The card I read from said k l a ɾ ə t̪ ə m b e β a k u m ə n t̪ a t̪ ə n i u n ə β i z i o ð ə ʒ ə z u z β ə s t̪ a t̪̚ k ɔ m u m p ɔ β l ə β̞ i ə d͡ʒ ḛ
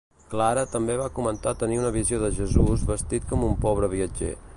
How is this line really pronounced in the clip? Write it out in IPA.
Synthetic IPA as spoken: k l a ɾ ə t̪ ə m b e β a k u m ə n t̪ a t̪ ə n i u n ə β i z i o ð ə ʒ ə z u z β ə s t̪ i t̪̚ k ɔ m u m p ɔ β ɾ ə β̞ i ə d͡ʒ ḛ

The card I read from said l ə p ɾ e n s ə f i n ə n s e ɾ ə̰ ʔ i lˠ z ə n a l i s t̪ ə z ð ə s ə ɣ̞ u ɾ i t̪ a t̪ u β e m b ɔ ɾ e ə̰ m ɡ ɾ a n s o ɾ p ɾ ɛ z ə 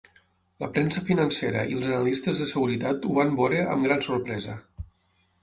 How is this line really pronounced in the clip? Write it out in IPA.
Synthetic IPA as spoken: l ə p ɾ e n s ə f i n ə n s e ɾ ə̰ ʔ i lˠ z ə n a l i s t̪ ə z ð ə s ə ɣ̞ u ɾ i t̪ a t̪ u β a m b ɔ ɾ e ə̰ m ɡ ɾ a n s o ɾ p ɾ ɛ z ə

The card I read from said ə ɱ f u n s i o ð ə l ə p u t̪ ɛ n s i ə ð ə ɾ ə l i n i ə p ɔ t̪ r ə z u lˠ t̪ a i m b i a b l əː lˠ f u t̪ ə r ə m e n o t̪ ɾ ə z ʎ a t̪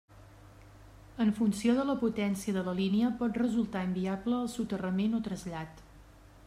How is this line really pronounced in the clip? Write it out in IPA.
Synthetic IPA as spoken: ə ɱ f u n s i o ð ə l ə p u t̪ ɛ n s i ə ð ə l ə l i n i ə p ɔ t̪ r ə z u lˠ t̪ a i m b i a b l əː lˠ s u t̪ ə r ə m e n o t̪ ɾ ə z ʎ a t̪

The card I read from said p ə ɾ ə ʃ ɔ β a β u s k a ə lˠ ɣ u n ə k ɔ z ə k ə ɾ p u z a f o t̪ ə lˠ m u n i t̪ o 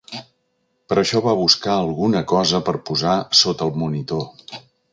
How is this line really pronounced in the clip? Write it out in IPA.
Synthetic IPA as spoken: p ə ɾ ə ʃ ɔ β a β u s k a ə lˠ ɣ u n ə k ɔ z ə p ə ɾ p u z a s o t̪ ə lˠ m u n i t̪ o

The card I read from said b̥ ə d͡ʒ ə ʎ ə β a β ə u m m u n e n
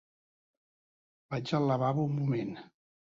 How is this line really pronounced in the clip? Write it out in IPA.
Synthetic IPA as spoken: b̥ a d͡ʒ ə l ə β a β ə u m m u m e n

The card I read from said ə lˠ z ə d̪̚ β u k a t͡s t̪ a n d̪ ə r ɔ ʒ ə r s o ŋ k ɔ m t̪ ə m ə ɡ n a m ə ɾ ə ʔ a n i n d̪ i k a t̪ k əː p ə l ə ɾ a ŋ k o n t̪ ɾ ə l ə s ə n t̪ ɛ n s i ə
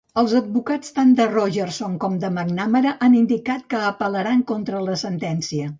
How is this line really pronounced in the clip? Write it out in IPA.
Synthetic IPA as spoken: ə lˠ z ə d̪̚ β u k a t͡s t̪ a n d̪ ə r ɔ ʒ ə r s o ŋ k ɔ m d̪ ə m ə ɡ n a m ə ɾ ə ʔ a n i n d̪ i k a t̪ k əː p ə l ə ɾ a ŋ k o n t̪ ɾ ə l ə s ə n t̪ ɛ n s i ə

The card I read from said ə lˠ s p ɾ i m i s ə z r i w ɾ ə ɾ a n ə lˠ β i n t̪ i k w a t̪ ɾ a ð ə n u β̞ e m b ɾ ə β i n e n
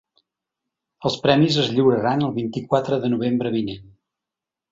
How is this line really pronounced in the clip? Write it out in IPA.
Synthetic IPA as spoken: ə lˠ s p ɾ ɛ m i z ə z ʎ i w ɾ ə ɾ a n ə lˠ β i n t̪ i k w a t̪ ɾ ə ð ə n u β̞ e m b ɾ ə β i n e n

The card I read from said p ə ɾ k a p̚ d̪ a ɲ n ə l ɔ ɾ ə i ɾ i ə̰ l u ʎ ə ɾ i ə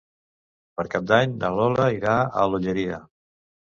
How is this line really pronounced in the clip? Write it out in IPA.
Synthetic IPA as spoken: p ə ɾ k a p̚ d̪ a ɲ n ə l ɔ l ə i ɾ a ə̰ l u ʎ ə ɾ i ə

